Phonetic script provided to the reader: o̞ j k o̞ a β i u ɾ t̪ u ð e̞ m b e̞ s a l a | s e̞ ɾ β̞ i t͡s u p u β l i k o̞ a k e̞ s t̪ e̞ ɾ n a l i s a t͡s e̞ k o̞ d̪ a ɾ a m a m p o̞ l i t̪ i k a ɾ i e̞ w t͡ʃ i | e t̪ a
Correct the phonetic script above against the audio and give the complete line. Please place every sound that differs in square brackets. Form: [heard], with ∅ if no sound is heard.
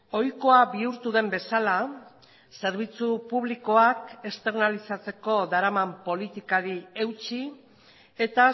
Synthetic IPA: o̞ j k o̞ a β i u ɾ t̪ u ð e̞ m b e̞ s a l a | s e̞ ɾ β̞ i t͡s u p u β l i k o̞ a k e̞ s t̪ e̞ ɾ n a l i s a t͡s e̞ k o̞ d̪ a ɾ a m a m p o̞ l i t̪ i k a ɾ i e̞ w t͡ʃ i | e t̪ a